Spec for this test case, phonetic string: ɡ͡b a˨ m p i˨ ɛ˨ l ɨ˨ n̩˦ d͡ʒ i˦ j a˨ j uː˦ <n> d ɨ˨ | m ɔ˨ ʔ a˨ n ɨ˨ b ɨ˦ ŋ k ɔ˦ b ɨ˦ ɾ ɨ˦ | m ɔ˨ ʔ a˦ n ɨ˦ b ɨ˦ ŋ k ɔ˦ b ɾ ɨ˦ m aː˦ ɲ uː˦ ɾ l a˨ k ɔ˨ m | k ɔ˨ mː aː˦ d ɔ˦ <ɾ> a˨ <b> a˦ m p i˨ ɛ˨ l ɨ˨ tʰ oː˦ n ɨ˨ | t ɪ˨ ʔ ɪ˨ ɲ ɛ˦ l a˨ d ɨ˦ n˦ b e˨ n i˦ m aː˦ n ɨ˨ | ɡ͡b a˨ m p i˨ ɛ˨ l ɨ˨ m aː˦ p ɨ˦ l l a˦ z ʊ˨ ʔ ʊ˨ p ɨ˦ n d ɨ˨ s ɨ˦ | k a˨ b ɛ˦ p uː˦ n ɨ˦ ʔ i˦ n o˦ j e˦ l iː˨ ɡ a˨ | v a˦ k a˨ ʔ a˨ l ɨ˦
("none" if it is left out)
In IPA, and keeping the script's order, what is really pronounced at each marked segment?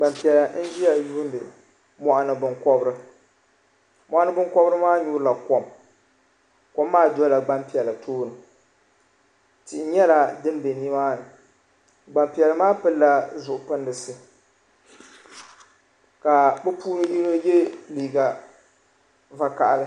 n, l, ɡ͡b

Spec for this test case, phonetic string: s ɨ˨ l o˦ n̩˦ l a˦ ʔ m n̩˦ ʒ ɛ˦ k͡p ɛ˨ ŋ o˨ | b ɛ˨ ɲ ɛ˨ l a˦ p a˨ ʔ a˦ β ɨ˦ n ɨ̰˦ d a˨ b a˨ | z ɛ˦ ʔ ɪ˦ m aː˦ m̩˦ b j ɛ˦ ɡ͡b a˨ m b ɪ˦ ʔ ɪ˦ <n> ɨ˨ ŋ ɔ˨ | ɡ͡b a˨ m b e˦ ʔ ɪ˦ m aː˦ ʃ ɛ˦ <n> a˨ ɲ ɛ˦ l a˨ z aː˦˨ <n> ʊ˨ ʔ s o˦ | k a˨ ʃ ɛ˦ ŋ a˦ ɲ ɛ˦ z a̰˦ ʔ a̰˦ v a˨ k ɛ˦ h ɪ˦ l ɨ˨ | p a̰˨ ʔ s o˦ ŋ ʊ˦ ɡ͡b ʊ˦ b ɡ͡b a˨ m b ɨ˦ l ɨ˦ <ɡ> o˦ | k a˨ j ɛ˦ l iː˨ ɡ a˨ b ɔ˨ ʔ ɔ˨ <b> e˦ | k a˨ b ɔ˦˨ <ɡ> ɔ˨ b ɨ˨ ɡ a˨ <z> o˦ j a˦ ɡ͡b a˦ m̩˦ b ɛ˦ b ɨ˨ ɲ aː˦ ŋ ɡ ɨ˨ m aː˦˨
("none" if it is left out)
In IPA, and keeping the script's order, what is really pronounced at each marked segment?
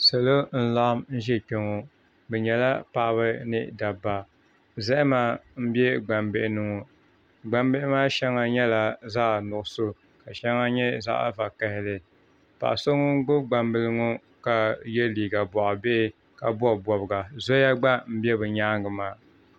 n, ŋ, n, ŋ, b, b, z

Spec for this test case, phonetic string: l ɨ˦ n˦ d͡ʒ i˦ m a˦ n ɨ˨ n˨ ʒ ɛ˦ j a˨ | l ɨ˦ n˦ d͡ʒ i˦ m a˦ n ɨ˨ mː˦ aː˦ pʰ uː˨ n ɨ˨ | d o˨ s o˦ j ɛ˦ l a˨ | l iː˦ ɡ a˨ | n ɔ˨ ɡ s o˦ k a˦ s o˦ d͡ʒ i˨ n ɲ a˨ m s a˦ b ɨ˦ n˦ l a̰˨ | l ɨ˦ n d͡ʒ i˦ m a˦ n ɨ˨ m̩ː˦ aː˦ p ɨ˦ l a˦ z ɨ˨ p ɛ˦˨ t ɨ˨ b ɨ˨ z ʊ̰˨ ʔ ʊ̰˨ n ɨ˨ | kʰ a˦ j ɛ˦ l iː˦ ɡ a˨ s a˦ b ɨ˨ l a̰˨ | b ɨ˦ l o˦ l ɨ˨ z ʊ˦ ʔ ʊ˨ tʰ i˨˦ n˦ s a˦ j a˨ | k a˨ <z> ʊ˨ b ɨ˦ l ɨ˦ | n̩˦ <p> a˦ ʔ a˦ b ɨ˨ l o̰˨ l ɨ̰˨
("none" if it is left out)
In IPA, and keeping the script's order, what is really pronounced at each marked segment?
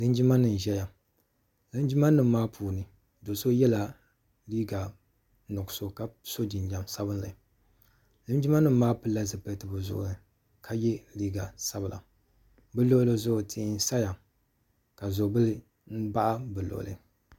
z, b

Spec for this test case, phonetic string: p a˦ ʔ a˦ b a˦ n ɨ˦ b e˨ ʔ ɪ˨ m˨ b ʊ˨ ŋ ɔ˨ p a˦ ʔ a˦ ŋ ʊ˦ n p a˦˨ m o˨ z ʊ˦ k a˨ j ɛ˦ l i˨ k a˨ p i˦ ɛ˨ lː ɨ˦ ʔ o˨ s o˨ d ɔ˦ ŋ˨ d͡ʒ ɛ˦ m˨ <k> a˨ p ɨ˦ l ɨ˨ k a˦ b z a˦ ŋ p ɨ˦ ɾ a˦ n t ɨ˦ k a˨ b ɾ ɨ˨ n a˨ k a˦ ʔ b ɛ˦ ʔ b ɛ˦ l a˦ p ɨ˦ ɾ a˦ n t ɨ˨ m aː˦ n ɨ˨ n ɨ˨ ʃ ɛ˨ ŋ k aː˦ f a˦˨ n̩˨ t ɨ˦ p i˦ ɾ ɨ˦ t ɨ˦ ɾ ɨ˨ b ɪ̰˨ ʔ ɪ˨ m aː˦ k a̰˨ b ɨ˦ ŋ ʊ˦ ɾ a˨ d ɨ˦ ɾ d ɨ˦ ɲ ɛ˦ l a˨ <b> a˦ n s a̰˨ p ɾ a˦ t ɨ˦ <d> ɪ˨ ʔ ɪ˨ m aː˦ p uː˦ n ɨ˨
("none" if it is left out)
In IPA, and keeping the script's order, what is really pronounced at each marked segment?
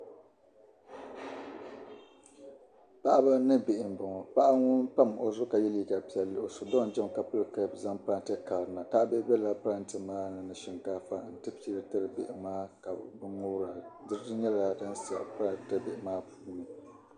k, d, b

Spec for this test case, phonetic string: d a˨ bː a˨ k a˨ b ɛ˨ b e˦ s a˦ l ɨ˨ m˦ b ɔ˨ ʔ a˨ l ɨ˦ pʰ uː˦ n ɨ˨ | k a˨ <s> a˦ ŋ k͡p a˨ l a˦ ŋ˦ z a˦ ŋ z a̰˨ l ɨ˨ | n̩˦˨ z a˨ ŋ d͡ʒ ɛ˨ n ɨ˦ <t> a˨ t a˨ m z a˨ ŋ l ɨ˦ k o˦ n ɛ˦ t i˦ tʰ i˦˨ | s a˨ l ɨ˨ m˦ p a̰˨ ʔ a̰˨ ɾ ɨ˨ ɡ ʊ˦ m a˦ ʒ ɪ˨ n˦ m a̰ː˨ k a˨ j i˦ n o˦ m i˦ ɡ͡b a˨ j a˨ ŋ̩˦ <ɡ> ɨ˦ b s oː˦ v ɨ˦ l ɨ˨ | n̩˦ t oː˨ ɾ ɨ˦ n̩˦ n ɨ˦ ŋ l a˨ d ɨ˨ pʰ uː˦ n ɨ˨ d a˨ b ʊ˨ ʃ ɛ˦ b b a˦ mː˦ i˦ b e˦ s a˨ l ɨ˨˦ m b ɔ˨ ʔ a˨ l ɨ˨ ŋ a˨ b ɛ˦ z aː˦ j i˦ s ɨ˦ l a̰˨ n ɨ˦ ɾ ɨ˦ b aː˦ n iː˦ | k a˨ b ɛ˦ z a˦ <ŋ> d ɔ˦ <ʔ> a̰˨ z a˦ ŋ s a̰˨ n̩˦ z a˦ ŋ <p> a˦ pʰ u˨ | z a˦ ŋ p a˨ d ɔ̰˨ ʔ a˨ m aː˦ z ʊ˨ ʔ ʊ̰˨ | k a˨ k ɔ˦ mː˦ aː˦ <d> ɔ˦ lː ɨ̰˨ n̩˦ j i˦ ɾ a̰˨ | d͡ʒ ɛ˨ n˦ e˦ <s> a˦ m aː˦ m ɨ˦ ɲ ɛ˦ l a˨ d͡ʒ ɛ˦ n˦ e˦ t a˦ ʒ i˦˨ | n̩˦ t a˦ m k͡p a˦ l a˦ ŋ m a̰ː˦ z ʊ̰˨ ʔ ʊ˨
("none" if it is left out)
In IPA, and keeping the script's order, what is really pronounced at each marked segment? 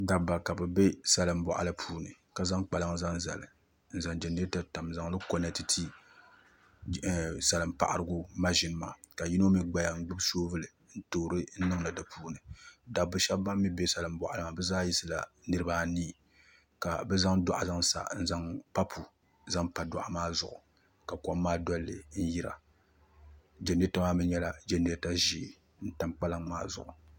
z, t, ɡ͡b, ŋ, ʔ, p, d, t

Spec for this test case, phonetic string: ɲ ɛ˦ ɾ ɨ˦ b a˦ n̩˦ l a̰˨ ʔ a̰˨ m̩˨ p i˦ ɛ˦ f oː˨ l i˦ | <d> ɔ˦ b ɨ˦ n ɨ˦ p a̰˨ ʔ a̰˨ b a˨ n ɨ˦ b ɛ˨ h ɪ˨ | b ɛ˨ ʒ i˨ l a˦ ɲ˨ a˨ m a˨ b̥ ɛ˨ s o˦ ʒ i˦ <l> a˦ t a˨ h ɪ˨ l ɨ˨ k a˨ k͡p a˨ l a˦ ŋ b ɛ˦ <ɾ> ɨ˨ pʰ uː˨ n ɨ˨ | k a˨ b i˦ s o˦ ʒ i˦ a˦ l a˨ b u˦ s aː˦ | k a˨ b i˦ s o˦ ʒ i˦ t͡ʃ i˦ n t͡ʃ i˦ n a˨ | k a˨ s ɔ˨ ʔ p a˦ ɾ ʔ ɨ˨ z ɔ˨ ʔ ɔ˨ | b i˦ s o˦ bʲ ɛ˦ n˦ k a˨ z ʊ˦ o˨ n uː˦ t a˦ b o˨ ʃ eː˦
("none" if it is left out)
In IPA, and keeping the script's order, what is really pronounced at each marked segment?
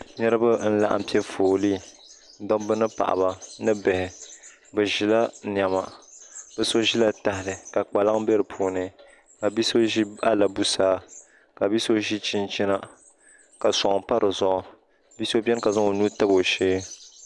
d, l, ɾ

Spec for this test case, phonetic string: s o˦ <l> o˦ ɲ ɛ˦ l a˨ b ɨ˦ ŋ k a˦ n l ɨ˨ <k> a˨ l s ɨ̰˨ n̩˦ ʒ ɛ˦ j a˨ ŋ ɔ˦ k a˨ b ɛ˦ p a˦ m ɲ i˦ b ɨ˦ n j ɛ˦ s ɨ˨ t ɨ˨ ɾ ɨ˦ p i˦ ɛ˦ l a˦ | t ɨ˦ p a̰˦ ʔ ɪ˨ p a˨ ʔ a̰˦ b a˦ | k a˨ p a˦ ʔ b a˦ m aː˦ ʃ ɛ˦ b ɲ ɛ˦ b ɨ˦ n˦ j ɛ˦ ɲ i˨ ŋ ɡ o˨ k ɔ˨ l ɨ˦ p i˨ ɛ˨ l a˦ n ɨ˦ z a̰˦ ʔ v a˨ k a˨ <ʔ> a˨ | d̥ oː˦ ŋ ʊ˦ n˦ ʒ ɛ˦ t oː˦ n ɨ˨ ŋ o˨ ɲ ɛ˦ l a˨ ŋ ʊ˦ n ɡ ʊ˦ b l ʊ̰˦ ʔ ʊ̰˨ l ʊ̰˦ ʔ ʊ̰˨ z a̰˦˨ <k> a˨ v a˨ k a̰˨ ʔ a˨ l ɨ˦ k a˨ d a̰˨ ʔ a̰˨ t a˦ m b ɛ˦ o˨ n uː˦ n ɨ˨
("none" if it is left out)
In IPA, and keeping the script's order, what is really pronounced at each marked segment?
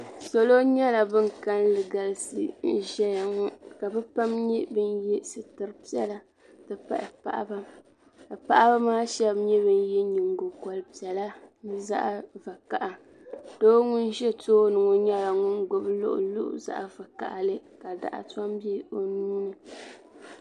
l, ɡ, ʔ, ʔ

